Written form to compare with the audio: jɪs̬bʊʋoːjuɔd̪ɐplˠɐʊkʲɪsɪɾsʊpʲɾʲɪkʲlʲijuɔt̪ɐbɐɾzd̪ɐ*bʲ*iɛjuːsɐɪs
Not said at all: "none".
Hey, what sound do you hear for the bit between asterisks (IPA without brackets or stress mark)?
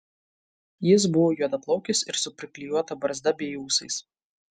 bʲ